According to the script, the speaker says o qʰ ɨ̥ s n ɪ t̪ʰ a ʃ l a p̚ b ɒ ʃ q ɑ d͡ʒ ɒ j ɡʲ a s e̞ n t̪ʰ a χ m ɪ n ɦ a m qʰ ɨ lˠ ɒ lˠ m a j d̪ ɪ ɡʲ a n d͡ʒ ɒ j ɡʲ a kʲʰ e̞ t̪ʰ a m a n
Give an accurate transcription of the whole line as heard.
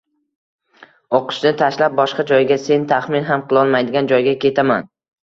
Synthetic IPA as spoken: o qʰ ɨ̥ ʃ n ɪ t̪ʰ a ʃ l a p̚ b ɒ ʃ q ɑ d͡ʒ ɒ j ɡʲ a s e̞ n t̪ʰ a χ m ɪ n ɦ a m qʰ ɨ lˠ ɒ lˠ m a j d̪ ɪ ɡʲ a n d͡ʒ ɒ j ɡʲ a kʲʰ e̞ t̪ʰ a m a n

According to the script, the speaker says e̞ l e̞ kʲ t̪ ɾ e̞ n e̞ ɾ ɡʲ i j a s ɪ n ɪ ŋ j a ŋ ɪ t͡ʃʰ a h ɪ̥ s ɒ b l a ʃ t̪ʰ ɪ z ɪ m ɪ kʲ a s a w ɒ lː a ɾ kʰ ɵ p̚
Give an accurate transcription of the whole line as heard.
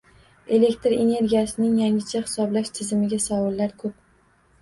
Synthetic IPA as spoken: e̞ l e̞ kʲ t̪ ɾ e̞ n e̞ ɾ ɡʲ i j a s ɪ n ɪ ŋ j a ŋ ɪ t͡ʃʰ a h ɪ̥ s ɒ b l a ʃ t̪ʰ ɪ z ɪ m ɪ ɡʲ a s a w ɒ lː a ɾ kʰ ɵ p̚

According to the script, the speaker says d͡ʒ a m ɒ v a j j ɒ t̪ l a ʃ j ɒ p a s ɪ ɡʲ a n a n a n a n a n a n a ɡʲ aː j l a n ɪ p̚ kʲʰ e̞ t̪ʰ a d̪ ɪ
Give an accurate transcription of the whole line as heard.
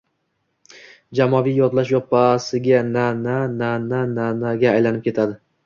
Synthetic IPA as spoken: d͡ʒ a m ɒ v i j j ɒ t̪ l a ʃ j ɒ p a s ɪ ɡʲ a n a n a n a n a n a n a ɡʲ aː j l a n ɪ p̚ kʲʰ e̞ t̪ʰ a d̪ ɪ

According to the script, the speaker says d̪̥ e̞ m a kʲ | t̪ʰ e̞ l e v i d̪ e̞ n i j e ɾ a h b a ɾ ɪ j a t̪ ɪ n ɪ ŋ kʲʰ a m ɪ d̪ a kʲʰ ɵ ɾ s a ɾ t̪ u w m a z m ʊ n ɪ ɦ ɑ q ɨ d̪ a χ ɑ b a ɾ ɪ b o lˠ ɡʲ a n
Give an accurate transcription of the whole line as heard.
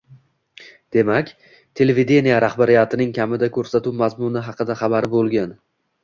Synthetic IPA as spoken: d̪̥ e̞ m a kʲ | t̪ʰ e̞ l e v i d̪ e̞ n i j a ɾ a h b a ɾ ɪ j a t̪ ɪ n ɪ ŋ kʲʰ a m ɪ d̪ a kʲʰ ɵ ɾ s a t̪ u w m a z m ʊ n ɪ ɦ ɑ q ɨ d̪ a χ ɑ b a ɾ ɪ b o lˠ ɡʲ a n

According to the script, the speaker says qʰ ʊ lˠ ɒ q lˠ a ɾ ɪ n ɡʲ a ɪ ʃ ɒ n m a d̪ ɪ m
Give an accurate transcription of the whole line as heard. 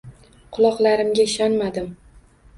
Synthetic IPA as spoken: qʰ ʊ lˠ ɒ q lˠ a ɾ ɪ m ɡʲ a ɪ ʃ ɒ n m a d̪ ɪ m

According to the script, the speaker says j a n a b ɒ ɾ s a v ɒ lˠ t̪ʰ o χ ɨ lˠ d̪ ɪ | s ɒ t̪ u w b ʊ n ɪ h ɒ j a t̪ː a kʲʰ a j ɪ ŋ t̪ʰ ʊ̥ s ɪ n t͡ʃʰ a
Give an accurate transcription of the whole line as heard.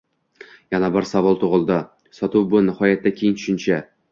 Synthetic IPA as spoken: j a n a b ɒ ɾ s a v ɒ lˠ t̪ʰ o ʁ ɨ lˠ d̪ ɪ | s ɒ t̪ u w b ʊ n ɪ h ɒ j a t̪ː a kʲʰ e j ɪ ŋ t̪ʰ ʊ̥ ʃ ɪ n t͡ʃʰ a

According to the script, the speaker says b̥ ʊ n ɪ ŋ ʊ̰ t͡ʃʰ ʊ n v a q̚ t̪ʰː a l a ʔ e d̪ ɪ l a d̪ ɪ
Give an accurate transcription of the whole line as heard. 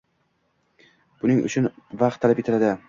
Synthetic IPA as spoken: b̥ ʊ n ɪ ŋ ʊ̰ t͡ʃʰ ʊ n v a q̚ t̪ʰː a l a p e t̪ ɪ l a d̪ ɪ

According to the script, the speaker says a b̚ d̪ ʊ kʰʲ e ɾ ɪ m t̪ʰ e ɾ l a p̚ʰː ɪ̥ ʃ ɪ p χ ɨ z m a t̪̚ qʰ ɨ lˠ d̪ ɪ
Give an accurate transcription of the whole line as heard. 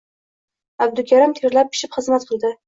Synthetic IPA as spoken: a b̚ d̪ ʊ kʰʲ a ɾ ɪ m t̪ʰ e ɾ l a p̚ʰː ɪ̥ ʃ ɪ p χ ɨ z m a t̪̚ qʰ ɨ lˠ d̪ ɪ

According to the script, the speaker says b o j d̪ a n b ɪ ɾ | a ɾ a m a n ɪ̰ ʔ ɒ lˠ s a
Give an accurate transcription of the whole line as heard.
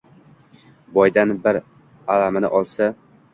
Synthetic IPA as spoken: b ɒ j d̪ a n b ɪ ɾ | a l a m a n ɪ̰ ʔ ɒ lˠ s a

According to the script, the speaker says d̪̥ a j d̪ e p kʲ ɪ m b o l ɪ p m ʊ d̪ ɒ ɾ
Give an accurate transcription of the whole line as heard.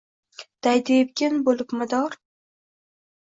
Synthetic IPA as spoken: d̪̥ a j d̪ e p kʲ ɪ n b o l ɪ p m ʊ d̪ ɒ ɾ

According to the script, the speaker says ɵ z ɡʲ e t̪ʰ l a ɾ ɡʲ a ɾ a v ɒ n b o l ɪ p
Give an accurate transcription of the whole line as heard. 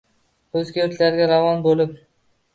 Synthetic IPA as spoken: ɵ z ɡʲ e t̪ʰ l a ɾ ɡʲ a ɾ a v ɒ n b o l ɪ p

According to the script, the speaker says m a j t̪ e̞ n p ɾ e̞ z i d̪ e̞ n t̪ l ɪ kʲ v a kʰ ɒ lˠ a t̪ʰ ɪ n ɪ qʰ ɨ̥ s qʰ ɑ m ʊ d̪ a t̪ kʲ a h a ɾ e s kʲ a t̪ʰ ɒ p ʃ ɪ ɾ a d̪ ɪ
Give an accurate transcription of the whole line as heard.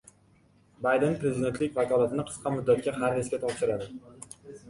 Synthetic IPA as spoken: b a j d̪ e̞ n p ɾ e̞ z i d̪ e̞ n t̪ l ɪ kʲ v a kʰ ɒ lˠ a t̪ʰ ɪ n ɪ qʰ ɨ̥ s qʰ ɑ m ʊ d̪ː a t̪ kʲ a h a ɾ e s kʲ a t̪ʰ ɒ p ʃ ɪ ɾ a d̪ ɪ

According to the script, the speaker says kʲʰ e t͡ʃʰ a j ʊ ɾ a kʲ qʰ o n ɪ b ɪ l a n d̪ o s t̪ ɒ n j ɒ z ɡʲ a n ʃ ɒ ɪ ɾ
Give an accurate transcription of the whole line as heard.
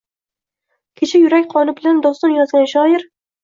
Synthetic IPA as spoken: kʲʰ e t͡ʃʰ a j ʊ ɾ a kʲ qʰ ɒ n ɪ b ɪ l a n d̪ ɒ s t̪ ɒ n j ɒ z ɡʲ a n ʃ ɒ ɪ ɾ

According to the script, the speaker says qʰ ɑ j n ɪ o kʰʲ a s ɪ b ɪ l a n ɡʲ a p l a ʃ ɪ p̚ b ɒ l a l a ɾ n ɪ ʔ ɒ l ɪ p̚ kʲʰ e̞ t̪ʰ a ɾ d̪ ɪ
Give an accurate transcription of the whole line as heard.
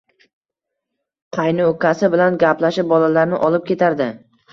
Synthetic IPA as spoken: qʰ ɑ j n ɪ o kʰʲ a s ɪ b ɪ l a n ɡʲ a p l a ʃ ɪ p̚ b ɒ l a l a ɾ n ɪ ʔ ɒ l ɪ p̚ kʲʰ e̞ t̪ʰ a ɾ d̪ ɪ

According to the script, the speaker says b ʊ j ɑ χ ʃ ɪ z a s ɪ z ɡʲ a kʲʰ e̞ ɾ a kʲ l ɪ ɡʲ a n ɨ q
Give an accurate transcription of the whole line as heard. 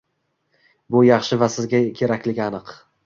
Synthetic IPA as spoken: b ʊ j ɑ χ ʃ ɪ v a s ɪ z ɡʲ a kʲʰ e̞ ɾ a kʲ l ɪ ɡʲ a n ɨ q

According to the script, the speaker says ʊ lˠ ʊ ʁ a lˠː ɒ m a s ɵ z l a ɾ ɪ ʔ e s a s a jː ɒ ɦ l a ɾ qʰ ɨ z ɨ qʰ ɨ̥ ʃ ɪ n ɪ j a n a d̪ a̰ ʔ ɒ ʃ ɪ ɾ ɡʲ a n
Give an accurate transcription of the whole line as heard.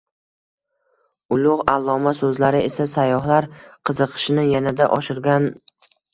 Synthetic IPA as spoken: ʊ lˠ ʊ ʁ a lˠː ɒ m a s ɵ z l a ɾ ɪ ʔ e s a s a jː ɒ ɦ l a ɾ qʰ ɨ z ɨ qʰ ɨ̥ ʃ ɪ n ɪ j a n a d̪ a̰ ʔ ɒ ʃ ɪ ɾ ɡʲ a n

